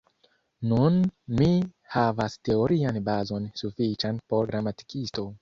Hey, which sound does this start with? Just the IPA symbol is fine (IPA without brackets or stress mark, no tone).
n